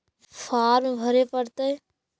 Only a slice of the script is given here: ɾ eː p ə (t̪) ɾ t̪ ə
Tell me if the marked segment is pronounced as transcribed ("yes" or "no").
no